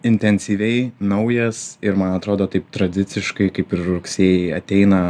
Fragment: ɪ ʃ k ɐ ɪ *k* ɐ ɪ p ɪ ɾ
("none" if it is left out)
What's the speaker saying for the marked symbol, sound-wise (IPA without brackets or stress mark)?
k